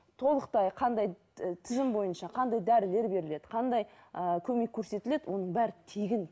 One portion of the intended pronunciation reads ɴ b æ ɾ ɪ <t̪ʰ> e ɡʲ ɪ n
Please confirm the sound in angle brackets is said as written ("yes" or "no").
yes